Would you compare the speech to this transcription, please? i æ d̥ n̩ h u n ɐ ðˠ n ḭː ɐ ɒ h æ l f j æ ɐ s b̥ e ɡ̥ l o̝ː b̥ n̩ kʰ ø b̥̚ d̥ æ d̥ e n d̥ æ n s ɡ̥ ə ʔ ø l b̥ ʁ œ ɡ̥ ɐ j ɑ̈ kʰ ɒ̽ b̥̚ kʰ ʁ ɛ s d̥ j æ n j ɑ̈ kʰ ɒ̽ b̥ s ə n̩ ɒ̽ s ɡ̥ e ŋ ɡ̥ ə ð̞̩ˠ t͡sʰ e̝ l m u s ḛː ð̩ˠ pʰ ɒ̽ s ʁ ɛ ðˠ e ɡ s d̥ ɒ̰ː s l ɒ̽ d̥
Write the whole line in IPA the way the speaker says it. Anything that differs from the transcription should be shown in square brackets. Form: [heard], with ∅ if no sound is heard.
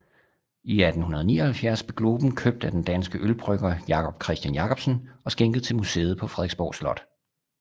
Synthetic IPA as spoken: i æ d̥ n̩ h u n ɐ ðˠ n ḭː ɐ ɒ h æ l f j æ ɐ s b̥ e ɡ̥ l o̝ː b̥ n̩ kʰ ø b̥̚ d̥ æ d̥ e n d̥ æ n s ɡ̥ ə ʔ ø l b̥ ʁ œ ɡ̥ ɐ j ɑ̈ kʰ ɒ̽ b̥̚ kʰ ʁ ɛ s d̥ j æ n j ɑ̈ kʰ ɒ̽ b̥ s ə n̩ ɒ̽ s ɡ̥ e ŋ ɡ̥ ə ð̞̩ˠ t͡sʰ e̝ l m u s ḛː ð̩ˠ pʰ ɒ̽ [f] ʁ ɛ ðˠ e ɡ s [b̥] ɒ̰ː s l ɒ̽ d̥